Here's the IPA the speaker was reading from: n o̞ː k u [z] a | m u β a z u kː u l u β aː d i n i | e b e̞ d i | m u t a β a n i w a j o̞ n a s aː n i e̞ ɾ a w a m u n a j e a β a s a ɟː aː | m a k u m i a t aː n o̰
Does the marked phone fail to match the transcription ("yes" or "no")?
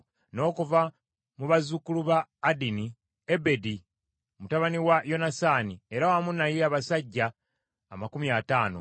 yes